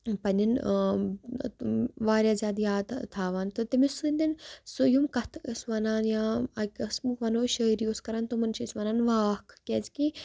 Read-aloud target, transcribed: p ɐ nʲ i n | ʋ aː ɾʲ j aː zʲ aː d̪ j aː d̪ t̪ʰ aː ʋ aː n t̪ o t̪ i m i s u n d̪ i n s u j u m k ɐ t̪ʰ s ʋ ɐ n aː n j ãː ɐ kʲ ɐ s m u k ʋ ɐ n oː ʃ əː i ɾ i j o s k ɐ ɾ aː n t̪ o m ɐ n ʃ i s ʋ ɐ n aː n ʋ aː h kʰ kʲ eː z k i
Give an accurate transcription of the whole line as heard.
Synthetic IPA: p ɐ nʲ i n | ʋ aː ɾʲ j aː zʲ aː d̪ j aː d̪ t̪ʰ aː ʋ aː n t̪ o t̪ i m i s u n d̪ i n s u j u m k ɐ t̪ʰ s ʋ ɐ n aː n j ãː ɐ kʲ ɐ s m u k ʋ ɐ n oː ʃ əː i ɾ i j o s k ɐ ɾ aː n t̪ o m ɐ n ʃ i s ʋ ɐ n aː n ʋ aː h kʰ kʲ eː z k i